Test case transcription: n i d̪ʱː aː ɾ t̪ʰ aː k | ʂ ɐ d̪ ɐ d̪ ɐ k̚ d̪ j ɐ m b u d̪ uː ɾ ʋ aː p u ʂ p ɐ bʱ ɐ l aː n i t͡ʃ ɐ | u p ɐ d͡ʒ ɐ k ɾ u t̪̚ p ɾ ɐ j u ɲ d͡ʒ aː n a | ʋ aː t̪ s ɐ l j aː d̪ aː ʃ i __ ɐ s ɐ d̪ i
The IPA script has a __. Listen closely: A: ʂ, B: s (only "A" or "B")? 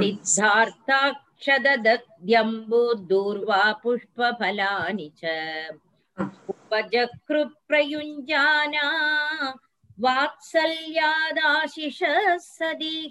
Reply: A